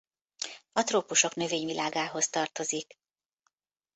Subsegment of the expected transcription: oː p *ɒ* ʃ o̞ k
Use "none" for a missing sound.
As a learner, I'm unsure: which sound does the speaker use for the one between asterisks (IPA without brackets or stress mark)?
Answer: u